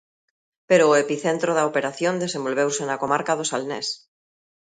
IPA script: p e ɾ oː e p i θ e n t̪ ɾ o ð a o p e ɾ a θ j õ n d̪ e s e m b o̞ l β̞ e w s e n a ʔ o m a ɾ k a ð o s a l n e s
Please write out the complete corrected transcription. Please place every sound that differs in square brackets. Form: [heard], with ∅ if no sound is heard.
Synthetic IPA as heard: p e ɾ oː e p i θ e n t̪ ɾ o ð a o p e ɾ a θ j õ n d̪ e s e m b o̞ l β̞ e w s e n a [k] o m a ɾ k a ð o s a l n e s